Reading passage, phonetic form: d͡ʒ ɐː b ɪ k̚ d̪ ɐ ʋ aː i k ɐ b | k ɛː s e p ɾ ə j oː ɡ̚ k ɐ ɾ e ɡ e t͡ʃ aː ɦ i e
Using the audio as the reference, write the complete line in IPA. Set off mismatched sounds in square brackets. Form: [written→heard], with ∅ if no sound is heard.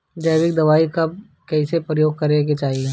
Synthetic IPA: d͡ʒ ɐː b ɪ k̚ d̪ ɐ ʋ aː i k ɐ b | k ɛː s e p ɾ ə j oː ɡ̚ k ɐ ɾ e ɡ e t͡ʃ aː ɦ i e

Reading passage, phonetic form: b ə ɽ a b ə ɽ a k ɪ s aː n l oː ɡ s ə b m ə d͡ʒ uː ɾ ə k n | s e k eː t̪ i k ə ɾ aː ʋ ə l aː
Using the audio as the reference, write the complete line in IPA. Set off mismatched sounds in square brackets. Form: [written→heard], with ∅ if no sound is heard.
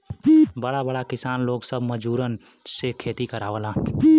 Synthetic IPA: b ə ɽ a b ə ɽ a k ɪ s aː n l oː ɡ s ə b m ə d͡ʒ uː ɾ ə [k→∅] n | s e [k→kʰ] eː t̪ i k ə ɾ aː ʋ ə l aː

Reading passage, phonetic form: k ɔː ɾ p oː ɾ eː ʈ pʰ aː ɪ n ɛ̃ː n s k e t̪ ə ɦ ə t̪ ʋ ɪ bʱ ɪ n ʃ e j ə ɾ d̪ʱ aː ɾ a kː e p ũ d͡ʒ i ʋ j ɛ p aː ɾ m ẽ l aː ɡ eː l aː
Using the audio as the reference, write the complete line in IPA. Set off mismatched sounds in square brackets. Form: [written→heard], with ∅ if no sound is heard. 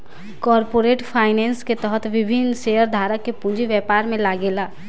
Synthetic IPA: k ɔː ɾ p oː ɾ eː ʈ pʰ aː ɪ n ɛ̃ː n s k e t̪ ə ɦ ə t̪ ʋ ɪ bʱ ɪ n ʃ e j ə ɾ d̪ʱ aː ɾ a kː e p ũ d͡ʒ i ʋ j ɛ p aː ɾ m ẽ l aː ɡ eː l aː

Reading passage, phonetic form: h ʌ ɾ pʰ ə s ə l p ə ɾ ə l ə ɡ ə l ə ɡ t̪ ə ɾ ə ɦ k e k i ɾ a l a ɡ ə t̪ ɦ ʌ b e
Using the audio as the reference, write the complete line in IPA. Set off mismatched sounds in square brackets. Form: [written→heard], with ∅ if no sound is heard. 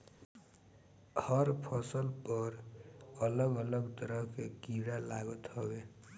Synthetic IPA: h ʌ ɾ pʰ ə s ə l p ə ɾ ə l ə ɡ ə l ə ɡ t̪ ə ɾ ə ɦ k e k i ɾ a l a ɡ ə t̪ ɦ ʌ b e

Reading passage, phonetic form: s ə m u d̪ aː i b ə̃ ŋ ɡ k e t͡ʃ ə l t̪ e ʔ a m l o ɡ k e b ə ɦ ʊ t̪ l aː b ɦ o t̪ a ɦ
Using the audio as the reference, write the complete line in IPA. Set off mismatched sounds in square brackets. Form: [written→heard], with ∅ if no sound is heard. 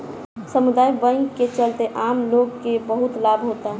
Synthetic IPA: s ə m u d̪ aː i b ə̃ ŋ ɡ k e t͡ʃ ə l t̪ e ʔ a m l o ɡ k e b ə ɦ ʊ t̪ l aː b ɦ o t̪ a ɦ

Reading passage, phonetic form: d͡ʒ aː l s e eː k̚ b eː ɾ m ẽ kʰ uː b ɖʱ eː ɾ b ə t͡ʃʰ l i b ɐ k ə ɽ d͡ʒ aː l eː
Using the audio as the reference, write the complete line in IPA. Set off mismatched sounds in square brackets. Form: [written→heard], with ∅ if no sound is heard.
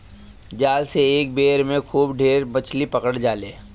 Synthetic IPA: d͡ʒ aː l s e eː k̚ b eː ɾ m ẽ kʰ uː b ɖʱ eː ɾ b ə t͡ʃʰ l i [b→p] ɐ k ə ɽ d͡ʒ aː l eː

